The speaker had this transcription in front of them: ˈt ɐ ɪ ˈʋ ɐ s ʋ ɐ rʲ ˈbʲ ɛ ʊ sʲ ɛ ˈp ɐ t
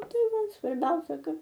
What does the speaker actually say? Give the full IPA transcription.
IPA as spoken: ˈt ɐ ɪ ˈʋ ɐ s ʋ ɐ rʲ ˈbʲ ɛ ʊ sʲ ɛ ˈk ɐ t